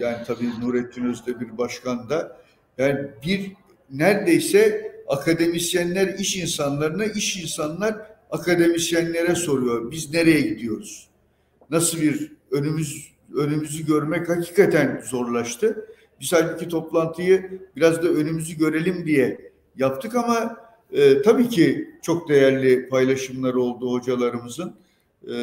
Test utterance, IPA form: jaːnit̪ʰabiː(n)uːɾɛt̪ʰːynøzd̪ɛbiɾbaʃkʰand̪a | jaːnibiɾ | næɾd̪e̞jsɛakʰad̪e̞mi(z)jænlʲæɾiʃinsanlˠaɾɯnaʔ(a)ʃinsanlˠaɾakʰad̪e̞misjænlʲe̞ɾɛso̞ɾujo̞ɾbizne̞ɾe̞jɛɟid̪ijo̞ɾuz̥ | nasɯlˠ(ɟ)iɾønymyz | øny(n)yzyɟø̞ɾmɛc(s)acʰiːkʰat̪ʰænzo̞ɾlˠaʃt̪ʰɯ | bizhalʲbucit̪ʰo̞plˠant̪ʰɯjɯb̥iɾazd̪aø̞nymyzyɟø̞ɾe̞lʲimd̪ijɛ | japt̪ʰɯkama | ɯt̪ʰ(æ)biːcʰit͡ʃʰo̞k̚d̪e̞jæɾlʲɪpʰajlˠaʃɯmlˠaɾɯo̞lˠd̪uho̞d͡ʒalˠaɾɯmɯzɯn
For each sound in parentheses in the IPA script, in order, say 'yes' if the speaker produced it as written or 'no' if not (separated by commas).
yes, no, no, no, no, no, no